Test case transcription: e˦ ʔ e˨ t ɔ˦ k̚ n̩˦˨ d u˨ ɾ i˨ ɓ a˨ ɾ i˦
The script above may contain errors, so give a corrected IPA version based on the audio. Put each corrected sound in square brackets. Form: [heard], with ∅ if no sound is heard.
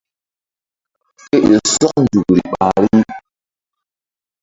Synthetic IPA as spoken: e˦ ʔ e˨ [s] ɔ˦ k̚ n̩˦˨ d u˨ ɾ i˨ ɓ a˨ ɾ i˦